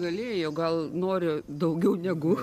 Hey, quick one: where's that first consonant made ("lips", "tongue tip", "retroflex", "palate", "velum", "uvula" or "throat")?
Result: velum